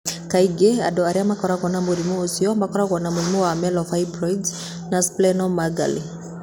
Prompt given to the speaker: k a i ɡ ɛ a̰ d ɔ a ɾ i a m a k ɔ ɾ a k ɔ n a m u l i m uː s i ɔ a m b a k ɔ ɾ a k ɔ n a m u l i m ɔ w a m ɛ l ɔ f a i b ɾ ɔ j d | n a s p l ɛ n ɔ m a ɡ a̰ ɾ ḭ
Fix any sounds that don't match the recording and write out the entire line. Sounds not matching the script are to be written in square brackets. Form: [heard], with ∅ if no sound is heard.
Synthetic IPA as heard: k a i ɡ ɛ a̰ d ɔ a ɾ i a m a k ɔ ɾ a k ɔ n a m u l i m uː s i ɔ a m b a k ɔ ɾ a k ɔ n a m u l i m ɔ w a m ɛ l ɔ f a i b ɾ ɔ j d | n a s p l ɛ n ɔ m a ɡ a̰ [l] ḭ